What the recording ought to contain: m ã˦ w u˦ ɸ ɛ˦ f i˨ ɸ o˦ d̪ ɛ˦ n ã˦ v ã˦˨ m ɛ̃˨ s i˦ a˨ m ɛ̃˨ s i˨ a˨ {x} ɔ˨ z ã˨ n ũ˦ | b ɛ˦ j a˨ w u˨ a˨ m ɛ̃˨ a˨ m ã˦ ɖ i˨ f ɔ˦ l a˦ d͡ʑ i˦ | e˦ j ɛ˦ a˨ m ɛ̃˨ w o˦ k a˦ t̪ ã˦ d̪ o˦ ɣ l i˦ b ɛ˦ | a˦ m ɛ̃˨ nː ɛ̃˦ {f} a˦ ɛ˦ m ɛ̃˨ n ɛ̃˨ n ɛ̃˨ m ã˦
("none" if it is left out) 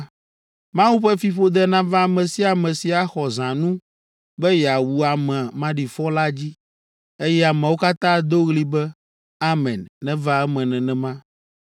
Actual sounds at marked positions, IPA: x, v

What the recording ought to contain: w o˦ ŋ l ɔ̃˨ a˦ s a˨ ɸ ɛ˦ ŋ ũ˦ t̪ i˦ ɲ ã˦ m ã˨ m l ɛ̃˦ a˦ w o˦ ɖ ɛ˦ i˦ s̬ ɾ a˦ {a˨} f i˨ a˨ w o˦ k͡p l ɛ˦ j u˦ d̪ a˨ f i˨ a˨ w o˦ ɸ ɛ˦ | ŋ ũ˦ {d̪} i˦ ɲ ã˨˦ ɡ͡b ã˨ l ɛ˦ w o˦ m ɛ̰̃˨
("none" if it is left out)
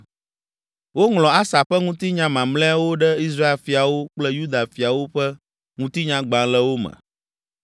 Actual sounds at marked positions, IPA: e˨, t̪

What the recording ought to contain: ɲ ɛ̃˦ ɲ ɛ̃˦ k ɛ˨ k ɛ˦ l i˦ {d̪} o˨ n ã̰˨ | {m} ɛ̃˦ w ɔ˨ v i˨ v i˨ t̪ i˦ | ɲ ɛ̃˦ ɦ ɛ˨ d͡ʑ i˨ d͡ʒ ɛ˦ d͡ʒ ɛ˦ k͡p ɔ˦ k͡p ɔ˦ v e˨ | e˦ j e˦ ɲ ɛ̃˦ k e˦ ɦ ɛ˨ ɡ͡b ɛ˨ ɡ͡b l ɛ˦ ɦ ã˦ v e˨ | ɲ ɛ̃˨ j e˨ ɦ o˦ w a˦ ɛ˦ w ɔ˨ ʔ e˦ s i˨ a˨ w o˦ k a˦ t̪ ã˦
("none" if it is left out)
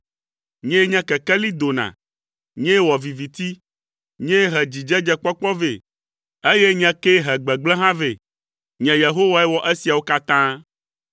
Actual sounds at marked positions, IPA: d̪, ɲ

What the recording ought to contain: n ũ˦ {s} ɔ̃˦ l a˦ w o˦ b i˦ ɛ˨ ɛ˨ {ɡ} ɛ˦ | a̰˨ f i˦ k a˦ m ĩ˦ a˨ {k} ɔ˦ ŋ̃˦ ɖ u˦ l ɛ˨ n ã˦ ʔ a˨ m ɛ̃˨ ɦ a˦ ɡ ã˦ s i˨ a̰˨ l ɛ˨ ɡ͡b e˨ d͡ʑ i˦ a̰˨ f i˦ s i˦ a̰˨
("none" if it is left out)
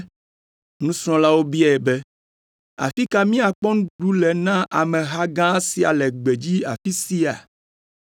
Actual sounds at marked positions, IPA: s, b, k͡p

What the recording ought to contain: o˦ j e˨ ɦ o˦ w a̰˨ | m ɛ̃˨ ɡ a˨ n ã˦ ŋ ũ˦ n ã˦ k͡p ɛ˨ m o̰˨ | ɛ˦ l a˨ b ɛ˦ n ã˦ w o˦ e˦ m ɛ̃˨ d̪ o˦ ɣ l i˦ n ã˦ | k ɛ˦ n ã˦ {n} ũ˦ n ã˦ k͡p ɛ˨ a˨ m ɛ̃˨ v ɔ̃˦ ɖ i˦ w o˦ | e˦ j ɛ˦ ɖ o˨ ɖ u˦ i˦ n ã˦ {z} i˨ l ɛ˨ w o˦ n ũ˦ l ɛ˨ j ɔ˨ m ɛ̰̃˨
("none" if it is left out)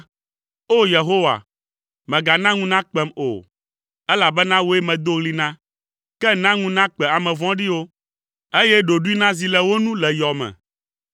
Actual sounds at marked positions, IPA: ŋ, z

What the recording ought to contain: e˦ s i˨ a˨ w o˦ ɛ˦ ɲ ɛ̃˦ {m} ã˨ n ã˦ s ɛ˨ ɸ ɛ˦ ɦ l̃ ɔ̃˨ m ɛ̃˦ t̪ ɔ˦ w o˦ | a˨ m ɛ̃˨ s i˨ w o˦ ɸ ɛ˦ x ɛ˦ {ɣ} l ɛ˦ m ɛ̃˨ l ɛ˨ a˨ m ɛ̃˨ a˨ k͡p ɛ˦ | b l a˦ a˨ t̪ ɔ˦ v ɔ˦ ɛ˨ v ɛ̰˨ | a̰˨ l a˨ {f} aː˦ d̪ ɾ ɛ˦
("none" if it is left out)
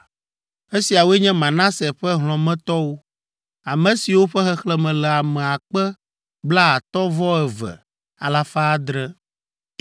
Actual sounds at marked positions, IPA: m, x, f

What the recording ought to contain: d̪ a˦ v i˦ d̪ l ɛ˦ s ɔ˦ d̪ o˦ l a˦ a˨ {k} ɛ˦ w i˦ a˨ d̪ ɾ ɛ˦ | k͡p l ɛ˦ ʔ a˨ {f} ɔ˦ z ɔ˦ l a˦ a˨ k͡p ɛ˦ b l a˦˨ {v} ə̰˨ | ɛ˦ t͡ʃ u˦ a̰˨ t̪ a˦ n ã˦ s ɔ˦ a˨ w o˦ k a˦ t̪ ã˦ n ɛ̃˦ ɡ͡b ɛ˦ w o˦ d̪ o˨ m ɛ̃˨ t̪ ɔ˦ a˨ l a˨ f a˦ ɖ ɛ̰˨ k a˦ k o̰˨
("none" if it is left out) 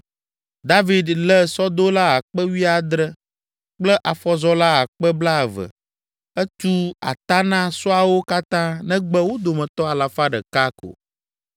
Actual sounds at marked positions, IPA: k͡p, f, v

